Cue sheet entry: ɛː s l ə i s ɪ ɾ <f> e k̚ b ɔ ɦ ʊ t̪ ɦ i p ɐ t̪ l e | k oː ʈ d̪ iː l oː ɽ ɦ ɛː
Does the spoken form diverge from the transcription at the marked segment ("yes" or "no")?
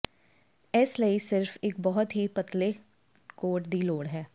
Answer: no